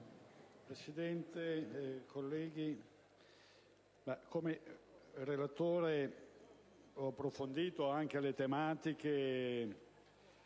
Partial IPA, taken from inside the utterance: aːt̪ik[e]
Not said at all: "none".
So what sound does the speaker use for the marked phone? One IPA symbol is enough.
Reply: e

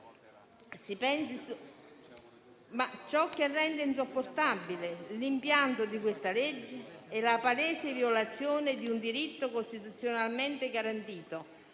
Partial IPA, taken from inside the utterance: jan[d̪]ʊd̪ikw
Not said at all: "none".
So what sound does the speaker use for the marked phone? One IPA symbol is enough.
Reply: t̪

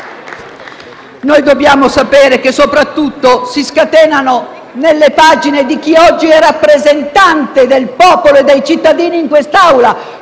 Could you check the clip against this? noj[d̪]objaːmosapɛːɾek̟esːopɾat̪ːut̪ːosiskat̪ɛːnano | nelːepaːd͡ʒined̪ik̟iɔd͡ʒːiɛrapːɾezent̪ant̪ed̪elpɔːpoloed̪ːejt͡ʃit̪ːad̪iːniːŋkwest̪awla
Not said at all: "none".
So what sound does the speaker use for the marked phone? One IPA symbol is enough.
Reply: d̪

